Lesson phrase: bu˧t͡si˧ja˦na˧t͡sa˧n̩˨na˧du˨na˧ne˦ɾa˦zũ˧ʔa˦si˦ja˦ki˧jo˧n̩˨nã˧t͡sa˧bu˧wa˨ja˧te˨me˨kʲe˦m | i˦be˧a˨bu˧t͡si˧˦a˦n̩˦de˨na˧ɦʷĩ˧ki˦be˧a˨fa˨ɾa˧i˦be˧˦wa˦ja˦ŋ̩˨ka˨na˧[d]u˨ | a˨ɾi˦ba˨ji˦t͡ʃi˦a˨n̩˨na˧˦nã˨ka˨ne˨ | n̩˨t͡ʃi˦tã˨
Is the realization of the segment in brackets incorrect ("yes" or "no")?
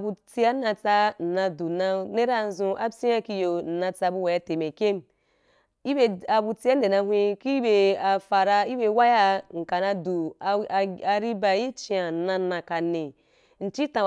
no